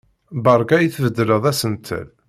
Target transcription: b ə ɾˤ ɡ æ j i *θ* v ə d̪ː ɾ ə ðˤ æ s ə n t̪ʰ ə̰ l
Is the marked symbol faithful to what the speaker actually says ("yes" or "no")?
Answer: yes